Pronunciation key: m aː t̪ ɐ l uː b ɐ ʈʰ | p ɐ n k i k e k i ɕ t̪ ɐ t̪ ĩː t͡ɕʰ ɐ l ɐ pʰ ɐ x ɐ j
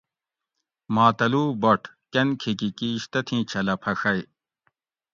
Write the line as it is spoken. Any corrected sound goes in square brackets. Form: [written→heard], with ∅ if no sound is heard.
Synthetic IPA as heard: m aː t̪ ɐ l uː b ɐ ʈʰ | [p→k] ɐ n [k→kʰ] i k [e→i] k i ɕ t̪ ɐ [t̪→t̪ʰ] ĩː t͡ɕʰ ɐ l ɐ pʰ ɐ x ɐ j